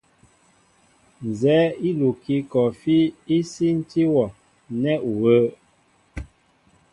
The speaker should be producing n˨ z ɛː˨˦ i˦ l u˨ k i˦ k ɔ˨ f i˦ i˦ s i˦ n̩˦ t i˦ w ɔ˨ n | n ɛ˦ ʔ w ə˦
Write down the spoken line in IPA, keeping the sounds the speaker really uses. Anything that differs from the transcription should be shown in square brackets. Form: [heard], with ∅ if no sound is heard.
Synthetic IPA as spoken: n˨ z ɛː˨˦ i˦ l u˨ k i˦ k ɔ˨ f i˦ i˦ s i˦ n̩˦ t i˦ w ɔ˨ [∅] | n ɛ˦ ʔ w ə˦